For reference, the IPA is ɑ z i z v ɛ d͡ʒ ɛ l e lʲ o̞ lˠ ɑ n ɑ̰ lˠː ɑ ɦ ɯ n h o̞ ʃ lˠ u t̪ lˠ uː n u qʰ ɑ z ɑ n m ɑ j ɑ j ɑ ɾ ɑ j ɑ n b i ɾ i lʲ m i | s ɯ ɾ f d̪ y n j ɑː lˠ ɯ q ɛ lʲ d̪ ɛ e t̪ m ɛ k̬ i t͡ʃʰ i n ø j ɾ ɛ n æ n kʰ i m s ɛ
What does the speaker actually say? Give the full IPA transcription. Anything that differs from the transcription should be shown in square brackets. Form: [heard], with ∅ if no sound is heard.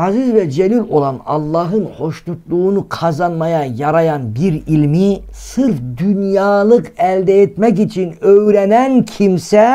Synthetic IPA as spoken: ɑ z i z v ɛ d͡ʒ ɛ l [i] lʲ o̞ lˠ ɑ n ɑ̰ lˠː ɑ ɦ ɯ n h o̞ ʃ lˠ u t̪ lˠ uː n u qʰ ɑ z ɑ n m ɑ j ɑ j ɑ ɾ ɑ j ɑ n b i ɾ i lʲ m i | s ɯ ɾ f d̪ y n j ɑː lˠ ɯ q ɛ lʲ d̪ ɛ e t̪ m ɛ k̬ i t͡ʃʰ i n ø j ɾ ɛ n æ n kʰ i m s ɛ